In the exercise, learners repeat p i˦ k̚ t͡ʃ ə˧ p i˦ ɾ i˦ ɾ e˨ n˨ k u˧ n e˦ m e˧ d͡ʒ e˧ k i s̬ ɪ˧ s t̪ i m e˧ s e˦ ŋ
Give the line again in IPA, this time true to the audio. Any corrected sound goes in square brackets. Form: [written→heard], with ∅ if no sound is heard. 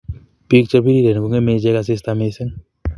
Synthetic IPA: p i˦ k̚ t͡ʃ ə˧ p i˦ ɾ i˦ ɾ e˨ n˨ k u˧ [n→ŋ] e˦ m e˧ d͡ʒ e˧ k [i→a] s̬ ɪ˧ s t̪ [i→a] m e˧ s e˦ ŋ